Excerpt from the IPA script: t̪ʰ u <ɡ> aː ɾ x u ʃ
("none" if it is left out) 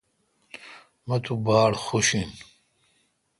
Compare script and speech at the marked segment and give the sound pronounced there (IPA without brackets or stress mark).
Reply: b